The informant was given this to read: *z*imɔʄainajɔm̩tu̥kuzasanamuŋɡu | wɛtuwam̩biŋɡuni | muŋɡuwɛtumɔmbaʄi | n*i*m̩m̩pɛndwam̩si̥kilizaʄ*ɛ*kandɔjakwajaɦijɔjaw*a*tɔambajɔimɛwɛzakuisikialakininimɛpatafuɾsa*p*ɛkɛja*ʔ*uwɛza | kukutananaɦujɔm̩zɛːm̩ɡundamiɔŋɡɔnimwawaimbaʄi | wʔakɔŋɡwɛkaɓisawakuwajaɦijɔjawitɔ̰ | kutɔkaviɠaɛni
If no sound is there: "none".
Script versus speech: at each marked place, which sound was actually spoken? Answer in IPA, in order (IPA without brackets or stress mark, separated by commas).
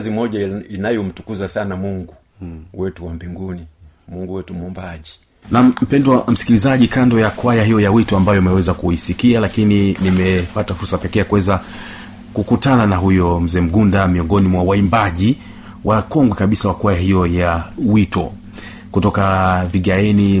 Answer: z, a, i, i, p, k